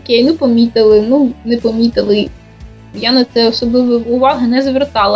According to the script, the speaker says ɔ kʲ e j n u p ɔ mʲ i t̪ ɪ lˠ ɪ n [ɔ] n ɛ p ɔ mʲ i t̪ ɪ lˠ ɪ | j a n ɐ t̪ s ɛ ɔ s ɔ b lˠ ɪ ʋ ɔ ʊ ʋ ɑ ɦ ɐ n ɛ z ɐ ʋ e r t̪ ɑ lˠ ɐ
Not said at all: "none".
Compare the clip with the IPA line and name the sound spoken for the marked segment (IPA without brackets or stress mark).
u